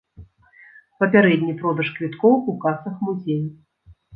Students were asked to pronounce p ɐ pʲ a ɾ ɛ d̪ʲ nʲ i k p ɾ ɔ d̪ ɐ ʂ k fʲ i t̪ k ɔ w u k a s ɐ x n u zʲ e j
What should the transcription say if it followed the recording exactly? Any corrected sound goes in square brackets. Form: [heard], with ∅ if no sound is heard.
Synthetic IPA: p ɐ pʲ a ɾ ɛ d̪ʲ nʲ i [∅] p ɾ ɔ d̪ ɐ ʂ k [vʲ] i t̪ k ɔ w u k a s ɐ x [m] u zʲ e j